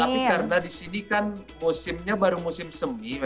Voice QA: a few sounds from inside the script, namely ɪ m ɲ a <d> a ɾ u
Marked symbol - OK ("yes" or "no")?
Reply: no